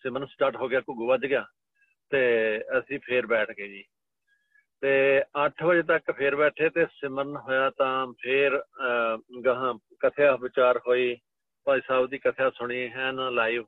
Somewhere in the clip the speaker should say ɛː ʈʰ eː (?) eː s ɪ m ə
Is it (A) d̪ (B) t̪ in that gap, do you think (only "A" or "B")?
B